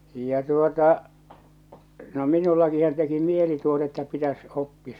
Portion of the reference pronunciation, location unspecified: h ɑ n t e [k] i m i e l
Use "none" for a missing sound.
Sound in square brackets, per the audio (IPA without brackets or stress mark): k